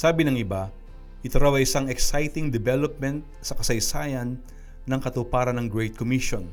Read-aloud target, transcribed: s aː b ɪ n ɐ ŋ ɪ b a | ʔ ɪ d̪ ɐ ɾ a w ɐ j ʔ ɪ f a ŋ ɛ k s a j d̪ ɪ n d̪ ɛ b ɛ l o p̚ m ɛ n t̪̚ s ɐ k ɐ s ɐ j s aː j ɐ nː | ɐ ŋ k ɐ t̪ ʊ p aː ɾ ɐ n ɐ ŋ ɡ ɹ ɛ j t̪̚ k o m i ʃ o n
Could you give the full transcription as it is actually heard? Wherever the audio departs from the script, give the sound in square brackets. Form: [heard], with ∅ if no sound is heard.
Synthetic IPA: s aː b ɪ n ɐ ŋ ɪ b a | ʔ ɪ [t̪] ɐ ɾ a w ɐ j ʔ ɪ [s] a ŋ ɛ k s a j [t̪] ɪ [ŋ] d̪ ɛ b ɛ l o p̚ m ɛ n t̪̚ s ɐ k ɐ s ɐ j s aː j ɐ nː | ɐ ŋ k ɐ t̪ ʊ p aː ɾ ɐ n ɐ ŋ ɡ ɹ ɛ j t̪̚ k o m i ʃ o n